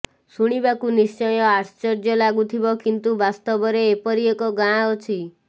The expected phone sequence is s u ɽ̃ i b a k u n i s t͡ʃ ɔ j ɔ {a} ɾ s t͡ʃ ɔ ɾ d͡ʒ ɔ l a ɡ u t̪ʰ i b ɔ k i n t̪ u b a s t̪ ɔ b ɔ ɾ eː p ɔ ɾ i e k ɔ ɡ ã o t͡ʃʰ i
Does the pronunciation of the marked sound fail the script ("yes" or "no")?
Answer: no